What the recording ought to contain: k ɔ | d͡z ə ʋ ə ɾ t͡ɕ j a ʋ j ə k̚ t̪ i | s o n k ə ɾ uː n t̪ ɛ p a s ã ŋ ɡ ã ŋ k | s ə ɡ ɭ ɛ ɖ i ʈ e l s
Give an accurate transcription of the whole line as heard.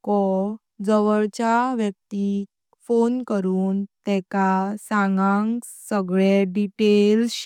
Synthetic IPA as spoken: k ɔ | d͡z ə ʋ ə ɭ t͡ɕ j a ʋ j ə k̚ t̪ i | f o n k ə ɾ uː n t̪ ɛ k a s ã ŋ ɡ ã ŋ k | s ə ɡ ɭ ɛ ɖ i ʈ e l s